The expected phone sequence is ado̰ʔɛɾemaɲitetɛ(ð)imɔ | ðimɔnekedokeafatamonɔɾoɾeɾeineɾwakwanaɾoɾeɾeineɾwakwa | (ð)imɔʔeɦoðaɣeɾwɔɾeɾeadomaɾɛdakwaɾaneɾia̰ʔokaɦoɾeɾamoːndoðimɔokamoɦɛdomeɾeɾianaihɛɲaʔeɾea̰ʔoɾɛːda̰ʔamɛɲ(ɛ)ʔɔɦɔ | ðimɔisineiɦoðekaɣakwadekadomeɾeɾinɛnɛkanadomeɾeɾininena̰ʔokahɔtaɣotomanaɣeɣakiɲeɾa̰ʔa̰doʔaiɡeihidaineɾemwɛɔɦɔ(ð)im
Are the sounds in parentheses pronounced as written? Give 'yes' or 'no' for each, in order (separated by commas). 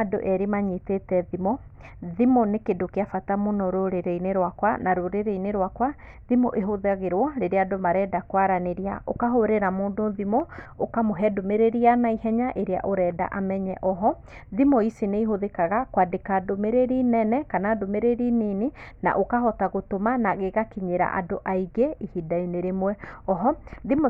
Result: yes, yes, yes, yes